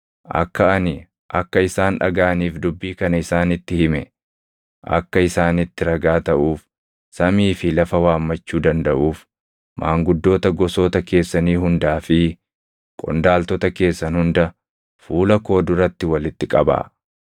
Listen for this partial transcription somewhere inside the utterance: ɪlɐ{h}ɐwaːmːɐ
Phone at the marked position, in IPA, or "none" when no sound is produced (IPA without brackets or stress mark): f